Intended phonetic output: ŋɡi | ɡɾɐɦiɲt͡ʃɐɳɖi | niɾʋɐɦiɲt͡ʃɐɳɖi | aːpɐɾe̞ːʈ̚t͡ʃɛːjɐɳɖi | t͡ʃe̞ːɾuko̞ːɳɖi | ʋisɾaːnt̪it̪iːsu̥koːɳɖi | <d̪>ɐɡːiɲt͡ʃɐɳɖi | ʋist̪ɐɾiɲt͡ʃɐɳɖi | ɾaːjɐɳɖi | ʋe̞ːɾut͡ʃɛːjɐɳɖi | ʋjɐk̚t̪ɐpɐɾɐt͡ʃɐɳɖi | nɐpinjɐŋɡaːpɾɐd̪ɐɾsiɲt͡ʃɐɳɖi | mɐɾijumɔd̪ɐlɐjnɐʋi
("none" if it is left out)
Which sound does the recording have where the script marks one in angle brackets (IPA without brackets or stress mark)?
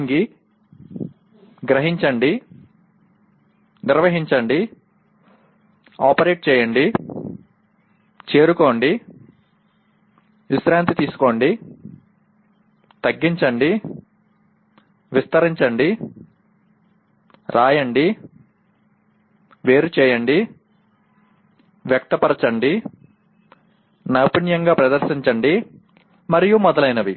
t̪